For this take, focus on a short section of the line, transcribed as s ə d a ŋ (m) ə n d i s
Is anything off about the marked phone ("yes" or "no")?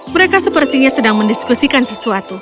no